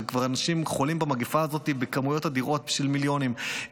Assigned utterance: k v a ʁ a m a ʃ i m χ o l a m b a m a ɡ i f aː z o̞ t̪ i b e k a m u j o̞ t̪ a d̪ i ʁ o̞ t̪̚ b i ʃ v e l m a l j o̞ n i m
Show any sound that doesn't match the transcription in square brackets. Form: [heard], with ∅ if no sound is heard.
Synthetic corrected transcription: k v a ʁ a [n] a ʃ i m χ o l [i] m b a m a ɡ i f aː z o̞ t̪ i b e k a m u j o̞ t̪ a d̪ i ʁ o̞ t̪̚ b i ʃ v [i] l m [i] l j o̞ n i m